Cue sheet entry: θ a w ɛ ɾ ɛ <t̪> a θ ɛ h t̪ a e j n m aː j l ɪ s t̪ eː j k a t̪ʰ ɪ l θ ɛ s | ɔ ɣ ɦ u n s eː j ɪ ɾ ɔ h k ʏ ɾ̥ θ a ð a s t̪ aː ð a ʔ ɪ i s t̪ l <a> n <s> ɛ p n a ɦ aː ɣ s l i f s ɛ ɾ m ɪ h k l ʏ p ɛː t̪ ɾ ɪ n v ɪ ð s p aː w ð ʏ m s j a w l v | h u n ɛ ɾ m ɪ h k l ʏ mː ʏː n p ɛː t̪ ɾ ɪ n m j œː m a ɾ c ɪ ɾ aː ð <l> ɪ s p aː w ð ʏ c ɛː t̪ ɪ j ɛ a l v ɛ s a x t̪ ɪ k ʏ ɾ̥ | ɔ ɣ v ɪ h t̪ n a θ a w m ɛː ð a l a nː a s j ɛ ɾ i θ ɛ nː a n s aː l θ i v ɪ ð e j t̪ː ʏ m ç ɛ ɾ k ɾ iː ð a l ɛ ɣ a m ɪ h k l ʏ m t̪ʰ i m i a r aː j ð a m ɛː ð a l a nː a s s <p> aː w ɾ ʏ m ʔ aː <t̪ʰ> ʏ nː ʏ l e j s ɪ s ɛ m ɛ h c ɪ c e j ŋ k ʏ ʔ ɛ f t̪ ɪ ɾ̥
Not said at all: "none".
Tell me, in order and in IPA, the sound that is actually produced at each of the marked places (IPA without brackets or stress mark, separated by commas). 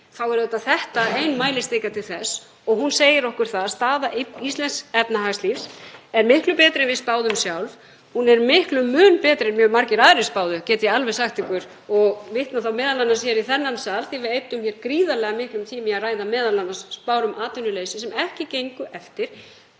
t̪, ɛ, s, ɾ, p, t̪